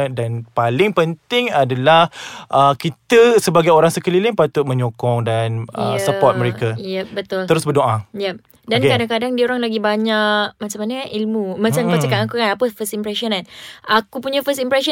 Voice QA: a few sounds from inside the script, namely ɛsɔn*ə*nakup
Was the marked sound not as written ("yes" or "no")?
yes